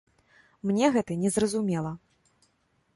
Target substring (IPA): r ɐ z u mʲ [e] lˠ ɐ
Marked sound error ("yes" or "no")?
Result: yes